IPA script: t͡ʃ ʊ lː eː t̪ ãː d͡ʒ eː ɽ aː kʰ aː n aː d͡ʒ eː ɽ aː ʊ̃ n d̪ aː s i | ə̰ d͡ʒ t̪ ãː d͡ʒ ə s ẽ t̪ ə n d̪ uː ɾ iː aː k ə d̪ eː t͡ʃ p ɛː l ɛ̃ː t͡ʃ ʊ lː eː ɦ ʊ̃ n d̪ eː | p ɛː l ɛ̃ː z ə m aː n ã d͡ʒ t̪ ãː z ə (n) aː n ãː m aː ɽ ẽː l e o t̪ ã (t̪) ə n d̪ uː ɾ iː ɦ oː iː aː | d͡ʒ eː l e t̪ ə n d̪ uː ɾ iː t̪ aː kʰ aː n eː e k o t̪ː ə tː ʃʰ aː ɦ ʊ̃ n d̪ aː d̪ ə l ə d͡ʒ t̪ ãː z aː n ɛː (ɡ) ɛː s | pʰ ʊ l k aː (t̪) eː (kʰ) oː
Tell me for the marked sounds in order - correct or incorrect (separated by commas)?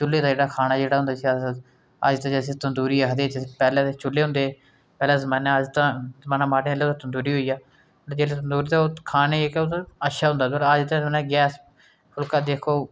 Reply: incorrect, correct, correct, incorrect, correct